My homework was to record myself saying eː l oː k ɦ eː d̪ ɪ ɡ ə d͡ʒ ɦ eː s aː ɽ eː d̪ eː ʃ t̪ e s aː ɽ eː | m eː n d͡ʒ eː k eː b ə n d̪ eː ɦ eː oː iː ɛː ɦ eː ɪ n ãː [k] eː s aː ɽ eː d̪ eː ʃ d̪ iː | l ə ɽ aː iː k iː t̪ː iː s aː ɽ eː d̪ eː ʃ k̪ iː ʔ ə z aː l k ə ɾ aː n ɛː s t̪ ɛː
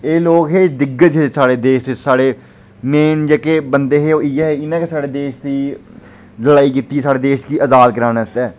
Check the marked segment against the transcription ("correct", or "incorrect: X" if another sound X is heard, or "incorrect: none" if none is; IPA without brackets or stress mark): correct